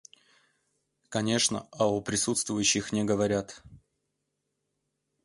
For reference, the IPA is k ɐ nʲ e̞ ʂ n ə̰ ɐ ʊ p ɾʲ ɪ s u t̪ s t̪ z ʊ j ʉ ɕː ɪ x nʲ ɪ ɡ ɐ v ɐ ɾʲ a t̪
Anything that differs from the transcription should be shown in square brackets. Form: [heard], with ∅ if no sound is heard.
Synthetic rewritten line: k ɐ nʲ e̞ ʂ n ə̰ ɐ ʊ p ɾʲ ɪ s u t̪ s t̪ [v] ʊ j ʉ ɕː ɪ x nʲ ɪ ɡ [ə] v ɐ ɾʲ a t̪